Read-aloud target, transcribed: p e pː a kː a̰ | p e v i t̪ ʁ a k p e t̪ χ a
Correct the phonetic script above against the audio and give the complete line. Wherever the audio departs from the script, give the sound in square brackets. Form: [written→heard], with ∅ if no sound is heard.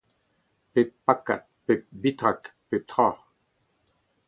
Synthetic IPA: p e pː a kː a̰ | p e [v→b] i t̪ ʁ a k p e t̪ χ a